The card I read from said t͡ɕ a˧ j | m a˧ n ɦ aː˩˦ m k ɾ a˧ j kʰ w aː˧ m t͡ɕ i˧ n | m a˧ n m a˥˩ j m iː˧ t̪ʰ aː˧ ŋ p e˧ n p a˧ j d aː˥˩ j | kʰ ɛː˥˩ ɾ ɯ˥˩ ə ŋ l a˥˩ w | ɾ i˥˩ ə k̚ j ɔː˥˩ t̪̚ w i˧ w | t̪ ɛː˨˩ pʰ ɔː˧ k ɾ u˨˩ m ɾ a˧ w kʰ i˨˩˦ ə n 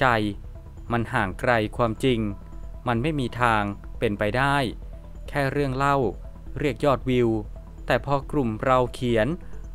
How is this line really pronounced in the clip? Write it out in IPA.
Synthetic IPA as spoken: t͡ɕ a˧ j | m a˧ n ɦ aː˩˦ ŋ k ɾ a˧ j kʰ w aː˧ m t͡ɕ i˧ ŋ | m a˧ n m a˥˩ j m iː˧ t̪ʰ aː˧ ŋ p e˧ n p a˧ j d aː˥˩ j | kʰ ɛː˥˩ ɾ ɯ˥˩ ə ŋ l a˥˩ w | ɾ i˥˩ ə k̚ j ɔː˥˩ t̪̚ w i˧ w | t̪ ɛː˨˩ pʰ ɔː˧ k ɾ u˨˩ m ɾ a˧ w kʰ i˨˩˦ ə n